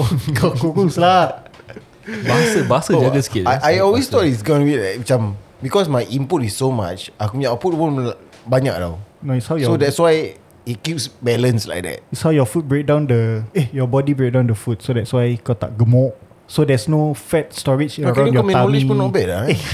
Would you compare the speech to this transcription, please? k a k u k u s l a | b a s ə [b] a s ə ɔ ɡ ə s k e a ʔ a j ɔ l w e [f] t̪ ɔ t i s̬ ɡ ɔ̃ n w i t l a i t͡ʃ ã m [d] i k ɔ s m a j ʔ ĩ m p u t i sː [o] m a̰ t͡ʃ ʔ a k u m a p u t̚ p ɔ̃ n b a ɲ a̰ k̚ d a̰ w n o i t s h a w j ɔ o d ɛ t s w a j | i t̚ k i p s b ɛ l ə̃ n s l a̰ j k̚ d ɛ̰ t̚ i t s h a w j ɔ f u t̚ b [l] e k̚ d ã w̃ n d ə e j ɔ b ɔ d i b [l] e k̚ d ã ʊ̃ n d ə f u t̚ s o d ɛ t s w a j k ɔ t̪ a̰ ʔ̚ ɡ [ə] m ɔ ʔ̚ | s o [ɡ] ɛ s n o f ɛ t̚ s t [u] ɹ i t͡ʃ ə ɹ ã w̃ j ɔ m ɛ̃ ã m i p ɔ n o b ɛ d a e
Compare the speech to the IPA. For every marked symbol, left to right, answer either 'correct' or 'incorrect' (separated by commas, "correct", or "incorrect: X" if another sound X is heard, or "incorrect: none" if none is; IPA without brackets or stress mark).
correct, incorrect: s, incorrect: b, correct, incorrect: ɹ, incorrect: ɹ, correct, incorrect: d, incorrect: ɔ